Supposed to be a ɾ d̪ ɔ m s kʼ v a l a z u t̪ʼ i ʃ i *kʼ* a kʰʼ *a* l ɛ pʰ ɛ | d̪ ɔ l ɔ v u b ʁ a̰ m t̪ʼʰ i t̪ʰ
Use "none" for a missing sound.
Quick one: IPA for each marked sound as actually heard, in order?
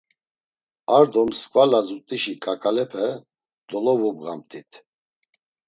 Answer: kʼ, a

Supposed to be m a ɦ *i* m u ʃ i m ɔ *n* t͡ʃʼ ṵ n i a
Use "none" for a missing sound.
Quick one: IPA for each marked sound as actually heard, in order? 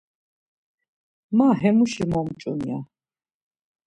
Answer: ɛ, m

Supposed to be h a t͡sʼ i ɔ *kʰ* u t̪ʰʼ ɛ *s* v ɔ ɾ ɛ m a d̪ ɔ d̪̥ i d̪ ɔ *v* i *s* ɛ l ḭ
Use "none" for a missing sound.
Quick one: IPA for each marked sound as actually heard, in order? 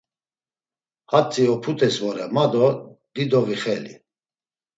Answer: pʰ, s, v, χ

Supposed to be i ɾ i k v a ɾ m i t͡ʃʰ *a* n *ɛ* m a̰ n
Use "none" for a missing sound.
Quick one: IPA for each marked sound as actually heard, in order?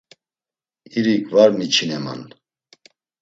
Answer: i, ɛ

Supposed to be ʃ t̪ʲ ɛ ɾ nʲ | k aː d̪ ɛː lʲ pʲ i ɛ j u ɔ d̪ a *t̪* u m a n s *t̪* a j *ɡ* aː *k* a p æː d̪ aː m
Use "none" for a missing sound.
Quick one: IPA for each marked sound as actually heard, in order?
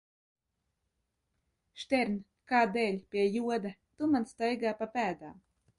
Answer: t̪, t̪, ɡ, p

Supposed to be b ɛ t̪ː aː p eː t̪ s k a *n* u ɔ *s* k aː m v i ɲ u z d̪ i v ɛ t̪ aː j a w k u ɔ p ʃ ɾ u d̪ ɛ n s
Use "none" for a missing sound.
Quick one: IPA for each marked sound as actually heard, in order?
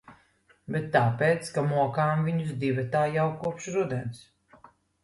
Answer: m, none

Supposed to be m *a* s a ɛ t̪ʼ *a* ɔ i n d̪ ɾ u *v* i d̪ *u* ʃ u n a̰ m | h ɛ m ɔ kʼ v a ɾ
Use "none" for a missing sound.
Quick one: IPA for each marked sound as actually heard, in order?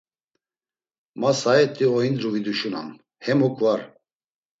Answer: a, i, v, u

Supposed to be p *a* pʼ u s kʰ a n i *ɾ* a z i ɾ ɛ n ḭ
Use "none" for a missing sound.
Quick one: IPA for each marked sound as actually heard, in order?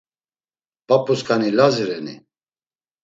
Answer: a, l

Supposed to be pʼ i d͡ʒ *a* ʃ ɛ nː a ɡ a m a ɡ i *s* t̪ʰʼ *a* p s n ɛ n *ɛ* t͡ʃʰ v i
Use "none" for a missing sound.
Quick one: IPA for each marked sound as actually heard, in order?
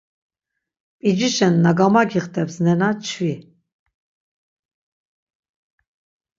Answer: i, χ, ɛ, a

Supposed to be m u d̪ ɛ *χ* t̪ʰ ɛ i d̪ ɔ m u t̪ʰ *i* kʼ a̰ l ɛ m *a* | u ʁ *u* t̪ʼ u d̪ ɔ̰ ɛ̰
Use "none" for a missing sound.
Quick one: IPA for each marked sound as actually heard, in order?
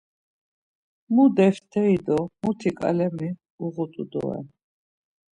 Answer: f, i, i, u

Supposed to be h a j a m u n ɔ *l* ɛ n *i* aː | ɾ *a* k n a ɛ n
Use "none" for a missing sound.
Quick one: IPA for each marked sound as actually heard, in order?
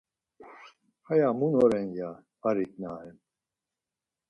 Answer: ɾ, j, i

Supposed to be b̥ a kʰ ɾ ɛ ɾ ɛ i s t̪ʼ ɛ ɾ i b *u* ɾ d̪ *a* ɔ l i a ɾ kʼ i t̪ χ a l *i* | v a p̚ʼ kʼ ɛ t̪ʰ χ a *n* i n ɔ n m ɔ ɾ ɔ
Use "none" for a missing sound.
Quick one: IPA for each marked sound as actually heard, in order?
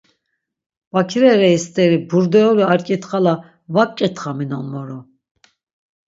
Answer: u, ɛ, a, m

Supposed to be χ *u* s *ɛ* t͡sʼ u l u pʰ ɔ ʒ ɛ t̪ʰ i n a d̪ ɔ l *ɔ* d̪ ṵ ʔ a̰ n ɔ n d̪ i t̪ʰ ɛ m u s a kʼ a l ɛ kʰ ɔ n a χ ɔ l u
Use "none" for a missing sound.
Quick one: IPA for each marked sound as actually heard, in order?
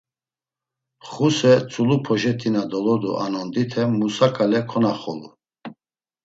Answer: u, ɛ, ɔ

